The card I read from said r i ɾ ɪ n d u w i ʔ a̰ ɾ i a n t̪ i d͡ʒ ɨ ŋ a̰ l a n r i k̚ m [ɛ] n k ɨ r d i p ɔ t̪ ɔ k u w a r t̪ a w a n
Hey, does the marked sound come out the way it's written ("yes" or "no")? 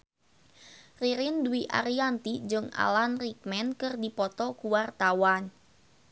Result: yes